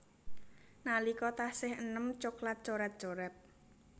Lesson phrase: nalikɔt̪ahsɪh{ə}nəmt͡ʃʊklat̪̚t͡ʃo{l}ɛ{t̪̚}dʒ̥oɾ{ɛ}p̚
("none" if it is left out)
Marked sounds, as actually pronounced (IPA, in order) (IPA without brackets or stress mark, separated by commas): ə, ɾ, t̪̚, ɛ